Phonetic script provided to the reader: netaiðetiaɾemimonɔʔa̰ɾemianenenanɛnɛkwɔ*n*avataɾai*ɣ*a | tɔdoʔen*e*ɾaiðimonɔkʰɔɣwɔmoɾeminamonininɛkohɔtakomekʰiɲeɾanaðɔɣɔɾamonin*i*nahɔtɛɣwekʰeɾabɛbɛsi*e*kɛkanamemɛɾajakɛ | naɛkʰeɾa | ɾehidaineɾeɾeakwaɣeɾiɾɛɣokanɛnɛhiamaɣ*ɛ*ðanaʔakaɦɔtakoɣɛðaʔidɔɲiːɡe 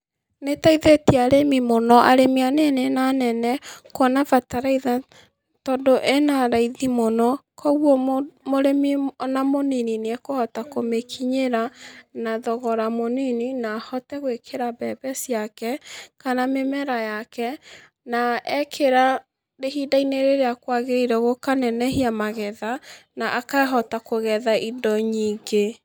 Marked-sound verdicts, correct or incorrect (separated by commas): correct, incorrect, incorrect, correct, incorrect, correct